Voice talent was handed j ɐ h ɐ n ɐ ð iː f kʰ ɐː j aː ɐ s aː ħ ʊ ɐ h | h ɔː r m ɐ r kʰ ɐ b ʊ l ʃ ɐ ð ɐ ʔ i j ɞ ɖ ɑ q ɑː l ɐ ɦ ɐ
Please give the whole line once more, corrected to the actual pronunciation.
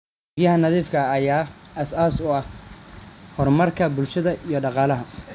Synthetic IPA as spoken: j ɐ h ɐ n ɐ ð iː f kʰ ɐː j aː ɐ s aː s ʊ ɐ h | h ɔ r m ɐ r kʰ ɐ b ʊ l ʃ ɐ ð ɐ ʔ i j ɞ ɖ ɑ q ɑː l ɐ ɦ ɐ